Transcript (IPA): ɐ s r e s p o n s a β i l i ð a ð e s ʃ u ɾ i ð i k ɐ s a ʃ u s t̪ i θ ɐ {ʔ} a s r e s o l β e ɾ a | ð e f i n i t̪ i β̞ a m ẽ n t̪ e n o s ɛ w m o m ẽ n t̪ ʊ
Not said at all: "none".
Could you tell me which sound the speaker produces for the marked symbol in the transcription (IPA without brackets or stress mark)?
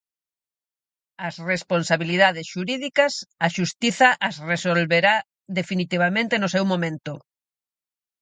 ʔ